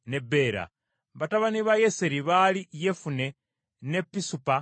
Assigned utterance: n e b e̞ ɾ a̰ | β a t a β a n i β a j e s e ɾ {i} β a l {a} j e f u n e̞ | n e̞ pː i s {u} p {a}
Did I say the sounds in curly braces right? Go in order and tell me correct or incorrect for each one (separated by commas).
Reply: correct, incorrect, correct, correct